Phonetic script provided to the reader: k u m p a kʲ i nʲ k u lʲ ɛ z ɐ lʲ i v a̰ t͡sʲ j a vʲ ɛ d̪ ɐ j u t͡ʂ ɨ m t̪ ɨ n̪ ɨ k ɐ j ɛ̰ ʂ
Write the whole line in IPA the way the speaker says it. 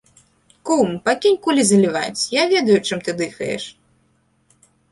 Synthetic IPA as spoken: k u m p a kʲ i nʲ k u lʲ i z ɐ lʲ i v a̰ t͡sʲ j a vʲ ɛ d̪ ɐ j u t͡ʂ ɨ m t̪ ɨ d̪ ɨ x ɐ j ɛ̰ ʂ